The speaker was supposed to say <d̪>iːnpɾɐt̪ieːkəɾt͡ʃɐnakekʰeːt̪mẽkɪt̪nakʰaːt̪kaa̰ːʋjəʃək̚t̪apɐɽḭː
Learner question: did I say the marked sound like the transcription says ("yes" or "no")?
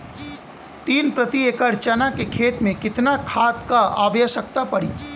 no